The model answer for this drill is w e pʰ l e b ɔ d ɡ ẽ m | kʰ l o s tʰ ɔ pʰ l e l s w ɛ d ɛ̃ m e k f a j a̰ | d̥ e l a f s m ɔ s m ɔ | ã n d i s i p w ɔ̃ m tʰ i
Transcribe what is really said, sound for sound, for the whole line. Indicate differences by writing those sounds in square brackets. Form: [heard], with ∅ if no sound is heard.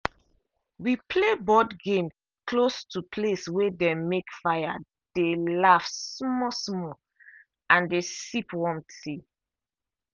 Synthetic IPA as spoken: w [i] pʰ l e b ɔ d ɡ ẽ m | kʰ l o s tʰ [u] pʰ l e [∅] s w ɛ d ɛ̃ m e k f a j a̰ | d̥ e l a f s m ɔ s m ɔ | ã n d [e] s i p w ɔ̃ m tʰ i